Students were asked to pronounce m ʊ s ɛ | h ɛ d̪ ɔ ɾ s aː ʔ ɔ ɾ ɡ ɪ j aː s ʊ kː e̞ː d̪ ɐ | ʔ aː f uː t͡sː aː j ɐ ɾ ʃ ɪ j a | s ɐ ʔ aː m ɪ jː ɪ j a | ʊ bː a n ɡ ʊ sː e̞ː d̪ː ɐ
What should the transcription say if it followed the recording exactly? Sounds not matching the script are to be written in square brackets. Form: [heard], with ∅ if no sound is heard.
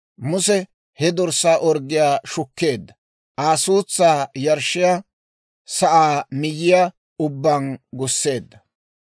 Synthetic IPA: m ʊ s ɛ | h ɛ d̪ ɔ ɾ s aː ʔ ɔ ɾ ɡ ɪ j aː [ʃ] ʊ kː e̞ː [d̪ː] ɐ | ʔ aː [s] uː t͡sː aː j ɐ ɾ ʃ ɪ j a | s ɐ ʔ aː m ɪ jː ɪ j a | ʊ bː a n ɡ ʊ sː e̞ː d̪ː ɐ